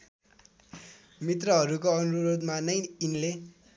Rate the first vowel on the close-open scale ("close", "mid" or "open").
close